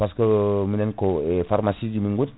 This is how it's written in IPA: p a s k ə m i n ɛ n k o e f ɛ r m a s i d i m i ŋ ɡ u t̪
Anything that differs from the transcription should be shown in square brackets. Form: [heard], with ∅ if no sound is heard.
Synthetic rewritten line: p a s k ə m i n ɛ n k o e f [a] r m a s i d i m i ŋ ɡ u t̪

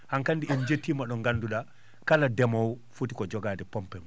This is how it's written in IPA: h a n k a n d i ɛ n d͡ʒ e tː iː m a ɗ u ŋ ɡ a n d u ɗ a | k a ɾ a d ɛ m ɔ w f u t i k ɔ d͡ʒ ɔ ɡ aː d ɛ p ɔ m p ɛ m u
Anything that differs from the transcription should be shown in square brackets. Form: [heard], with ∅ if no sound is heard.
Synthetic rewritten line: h a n k a n d i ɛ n d͡ʒ e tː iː m a ɗ [ɔ] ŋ ɡ a n d u ɗ a | k a [l] a d ɛ m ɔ w f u t i k ɔ d͡ʒ ɔ ɡ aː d ɛ p ɔ m p ɛ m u

